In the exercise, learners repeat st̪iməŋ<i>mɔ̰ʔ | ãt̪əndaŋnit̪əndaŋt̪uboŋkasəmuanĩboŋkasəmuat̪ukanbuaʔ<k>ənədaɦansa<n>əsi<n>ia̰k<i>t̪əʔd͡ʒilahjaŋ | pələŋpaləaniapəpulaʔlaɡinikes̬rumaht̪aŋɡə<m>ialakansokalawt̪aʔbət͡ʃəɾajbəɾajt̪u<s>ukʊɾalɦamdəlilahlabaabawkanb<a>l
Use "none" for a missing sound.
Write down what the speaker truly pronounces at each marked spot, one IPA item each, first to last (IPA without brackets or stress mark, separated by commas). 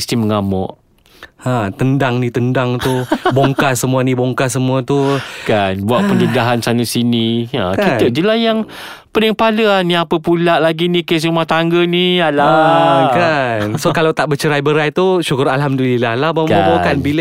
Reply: a, p, n, n, i, n, ʃ, i